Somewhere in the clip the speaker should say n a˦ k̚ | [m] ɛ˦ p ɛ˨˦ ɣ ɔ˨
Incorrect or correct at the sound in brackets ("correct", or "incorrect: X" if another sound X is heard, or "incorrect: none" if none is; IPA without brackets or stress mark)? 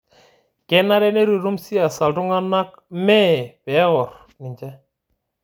correct